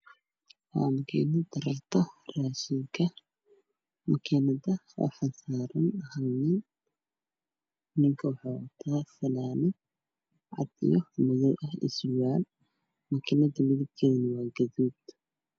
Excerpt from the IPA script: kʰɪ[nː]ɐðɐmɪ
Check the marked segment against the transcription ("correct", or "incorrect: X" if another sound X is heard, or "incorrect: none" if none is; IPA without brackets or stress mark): incorrect: n